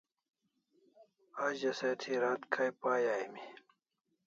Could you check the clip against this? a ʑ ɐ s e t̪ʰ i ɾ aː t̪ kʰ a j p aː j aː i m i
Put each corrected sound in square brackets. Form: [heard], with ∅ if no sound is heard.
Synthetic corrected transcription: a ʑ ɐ s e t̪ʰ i ɾ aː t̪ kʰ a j p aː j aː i m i